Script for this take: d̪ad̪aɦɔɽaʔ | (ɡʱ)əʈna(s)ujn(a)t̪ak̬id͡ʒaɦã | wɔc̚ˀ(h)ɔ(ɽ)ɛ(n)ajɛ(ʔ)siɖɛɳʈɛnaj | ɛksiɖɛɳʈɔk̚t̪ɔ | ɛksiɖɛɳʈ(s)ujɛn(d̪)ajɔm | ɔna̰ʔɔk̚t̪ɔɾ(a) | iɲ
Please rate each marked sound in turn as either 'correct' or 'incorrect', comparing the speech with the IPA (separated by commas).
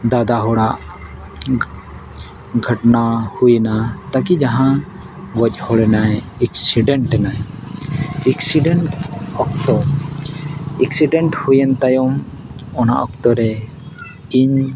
correct, incorrect, correct, correct, correct, correct, incorrect, incorrect, incorrect, incorrect